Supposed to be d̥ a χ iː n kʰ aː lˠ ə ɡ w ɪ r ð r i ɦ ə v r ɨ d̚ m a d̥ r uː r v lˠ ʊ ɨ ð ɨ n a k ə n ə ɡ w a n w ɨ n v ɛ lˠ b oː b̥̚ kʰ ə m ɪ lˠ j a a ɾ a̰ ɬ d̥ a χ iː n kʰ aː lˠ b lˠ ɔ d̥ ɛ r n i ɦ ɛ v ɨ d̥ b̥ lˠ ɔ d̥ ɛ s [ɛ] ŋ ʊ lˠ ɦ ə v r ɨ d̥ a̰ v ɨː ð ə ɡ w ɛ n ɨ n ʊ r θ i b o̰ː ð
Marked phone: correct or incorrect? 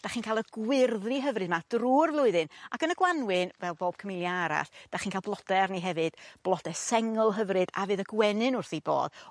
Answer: correct